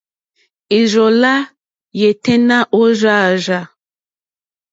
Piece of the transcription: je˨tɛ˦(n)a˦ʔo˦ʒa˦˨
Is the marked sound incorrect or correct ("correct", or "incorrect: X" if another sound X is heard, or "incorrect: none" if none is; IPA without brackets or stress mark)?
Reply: correct